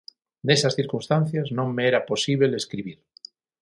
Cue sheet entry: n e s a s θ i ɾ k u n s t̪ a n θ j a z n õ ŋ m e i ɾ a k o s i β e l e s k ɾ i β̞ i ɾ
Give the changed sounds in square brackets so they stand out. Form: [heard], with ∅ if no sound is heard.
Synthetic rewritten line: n e s a s θ i ɾ k u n s t̪ a n θ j a z n õ ŋ m e [e] ɾ a [p] o s i β e l e s k ɾ i β̞ i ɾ